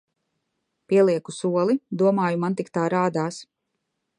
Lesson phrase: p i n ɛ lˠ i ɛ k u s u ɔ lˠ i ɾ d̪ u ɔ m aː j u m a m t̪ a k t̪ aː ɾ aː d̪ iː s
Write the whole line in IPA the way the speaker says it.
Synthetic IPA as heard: p i ɛ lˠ i ɛ k u s u ɔ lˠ i d̪ u ɔ m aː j u m a n t̪ i k t̪ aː ɾ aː d̪ aː s